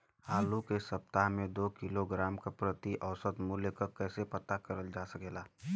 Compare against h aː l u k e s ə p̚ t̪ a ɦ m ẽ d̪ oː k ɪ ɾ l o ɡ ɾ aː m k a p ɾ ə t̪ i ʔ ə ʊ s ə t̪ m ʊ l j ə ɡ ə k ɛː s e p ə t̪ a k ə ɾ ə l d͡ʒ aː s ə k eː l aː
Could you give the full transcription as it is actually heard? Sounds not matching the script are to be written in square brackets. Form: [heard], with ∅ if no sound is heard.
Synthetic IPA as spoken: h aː l u k e s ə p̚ t̪ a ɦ m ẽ d̪ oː k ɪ [∅] l o ɡ ɾ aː m k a p ɾ ə t̪ i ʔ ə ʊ s ə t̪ m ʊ l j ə [k] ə k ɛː s e p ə t̪ a k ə ɾ ə l d͡ʒ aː s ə k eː l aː